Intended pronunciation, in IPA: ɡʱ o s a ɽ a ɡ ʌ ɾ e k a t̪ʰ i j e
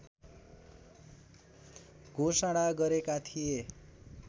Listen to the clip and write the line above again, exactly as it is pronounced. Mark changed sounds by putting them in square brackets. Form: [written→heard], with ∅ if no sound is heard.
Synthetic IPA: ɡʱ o s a ɽ a ɡ ʌ ɾ e k a t̪ʰ i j e